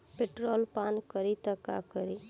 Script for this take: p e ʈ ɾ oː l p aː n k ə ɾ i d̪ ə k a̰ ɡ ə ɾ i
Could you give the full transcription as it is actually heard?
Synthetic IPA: p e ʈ ɾ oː l p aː n k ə ɾ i t̪ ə k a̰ k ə ɾ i